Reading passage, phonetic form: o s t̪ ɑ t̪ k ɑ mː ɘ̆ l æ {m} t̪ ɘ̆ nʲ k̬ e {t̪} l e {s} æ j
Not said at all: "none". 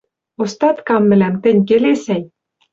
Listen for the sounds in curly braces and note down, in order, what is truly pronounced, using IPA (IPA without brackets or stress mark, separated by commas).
m, none, s